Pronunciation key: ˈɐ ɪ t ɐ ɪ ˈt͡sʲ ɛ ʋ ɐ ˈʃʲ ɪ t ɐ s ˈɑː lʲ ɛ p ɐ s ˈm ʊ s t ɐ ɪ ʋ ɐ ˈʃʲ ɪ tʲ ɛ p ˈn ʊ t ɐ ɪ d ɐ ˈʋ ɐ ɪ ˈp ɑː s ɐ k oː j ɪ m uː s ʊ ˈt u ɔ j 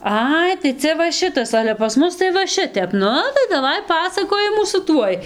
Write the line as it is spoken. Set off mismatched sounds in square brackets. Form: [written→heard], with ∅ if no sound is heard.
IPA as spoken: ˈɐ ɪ t ɐ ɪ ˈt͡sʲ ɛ ʋ ɐ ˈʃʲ ɪ t ɐ s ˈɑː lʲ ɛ p ɐ s ˈm ʊ s t ɐ ɪ ʋ ɐ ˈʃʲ ɪ tʲ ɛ p ˈn ʊ t ɐ ɪ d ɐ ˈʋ ɐ ɪ ˈp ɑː s ɐ k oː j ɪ m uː s ʊ ˈt u ɔ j

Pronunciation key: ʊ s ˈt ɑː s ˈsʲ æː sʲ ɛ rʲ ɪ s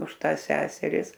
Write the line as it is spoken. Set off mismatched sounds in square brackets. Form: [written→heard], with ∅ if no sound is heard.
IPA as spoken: ʊ [s→ʃ] ˈt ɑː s ˈsʲ æː sʲ ɛ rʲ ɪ s

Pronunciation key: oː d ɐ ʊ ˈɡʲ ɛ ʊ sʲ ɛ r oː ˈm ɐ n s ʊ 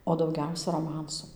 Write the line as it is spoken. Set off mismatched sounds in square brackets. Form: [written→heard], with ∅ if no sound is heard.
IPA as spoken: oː d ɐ ʊ ˈɡʲ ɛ ʊ sʲ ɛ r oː ˈm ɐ n s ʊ

